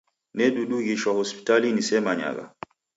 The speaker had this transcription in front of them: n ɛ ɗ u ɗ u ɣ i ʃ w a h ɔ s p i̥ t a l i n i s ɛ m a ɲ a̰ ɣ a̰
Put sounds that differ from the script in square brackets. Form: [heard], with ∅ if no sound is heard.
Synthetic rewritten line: n ɛ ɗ u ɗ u ɣ i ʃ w a h ɔ s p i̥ t a l i n i s ɛ m a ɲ a̰ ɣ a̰